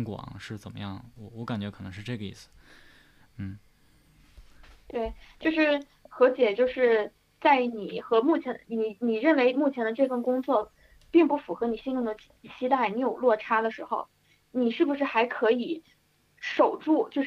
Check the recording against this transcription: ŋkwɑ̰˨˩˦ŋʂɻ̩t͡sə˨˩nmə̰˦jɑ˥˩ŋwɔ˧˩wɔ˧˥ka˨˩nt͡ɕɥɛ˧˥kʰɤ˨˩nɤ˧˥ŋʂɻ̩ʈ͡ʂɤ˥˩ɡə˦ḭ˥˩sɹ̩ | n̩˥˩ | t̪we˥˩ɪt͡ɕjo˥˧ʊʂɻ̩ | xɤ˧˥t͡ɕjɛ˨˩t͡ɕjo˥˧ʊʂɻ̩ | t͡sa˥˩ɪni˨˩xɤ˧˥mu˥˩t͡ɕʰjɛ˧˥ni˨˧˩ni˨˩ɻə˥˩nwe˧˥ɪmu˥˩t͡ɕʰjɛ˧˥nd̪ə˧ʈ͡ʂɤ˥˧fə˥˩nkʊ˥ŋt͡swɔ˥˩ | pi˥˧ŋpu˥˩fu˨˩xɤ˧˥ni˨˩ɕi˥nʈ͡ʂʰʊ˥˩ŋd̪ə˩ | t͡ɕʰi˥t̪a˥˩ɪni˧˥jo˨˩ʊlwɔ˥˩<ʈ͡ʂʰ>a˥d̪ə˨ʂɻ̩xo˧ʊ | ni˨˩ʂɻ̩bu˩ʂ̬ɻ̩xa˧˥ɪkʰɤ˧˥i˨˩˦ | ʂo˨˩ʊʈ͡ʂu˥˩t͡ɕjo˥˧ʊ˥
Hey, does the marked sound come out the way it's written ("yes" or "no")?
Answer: yes